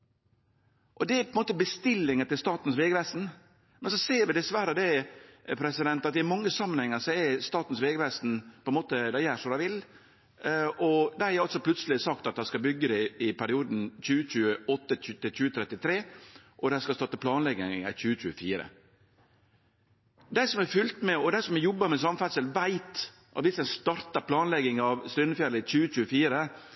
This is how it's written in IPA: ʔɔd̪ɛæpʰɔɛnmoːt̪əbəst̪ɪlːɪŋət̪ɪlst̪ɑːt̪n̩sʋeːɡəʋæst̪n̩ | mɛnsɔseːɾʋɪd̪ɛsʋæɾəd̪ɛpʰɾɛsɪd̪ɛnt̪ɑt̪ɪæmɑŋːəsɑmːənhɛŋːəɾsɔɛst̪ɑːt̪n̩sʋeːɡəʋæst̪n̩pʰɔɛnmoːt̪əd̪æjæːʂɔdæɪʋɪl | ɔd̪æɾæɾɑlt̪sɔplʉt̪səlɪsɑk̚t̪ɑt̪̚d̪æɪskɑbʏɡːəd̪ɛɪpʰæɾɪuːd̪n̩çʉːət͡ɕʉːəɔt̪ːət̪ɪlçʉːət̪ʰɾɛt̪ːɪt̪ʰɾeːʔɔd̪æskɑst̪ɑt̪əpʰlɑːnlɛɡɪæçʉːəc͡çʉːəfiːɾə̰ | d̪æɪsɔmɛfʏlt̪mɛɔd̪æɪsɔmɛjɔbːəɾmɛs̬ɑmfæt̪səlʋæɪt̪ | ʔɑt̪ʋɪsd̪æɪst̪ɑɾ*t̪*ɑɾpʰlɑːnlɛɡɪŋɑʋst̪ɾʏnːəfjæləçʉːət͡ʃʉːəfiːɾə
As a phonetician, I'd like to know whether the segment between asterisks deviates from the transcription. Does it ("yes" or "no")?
no